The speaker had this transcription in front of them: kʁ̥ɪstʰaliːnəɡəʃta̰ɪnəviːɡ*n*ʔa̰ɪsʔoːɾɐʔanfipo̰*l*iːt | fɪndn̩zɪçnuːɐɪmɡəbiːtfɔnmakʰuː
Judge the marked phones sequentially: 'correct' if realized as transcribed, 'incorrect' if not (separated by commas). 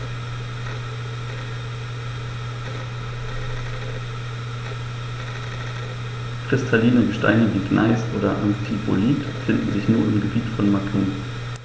correct, correct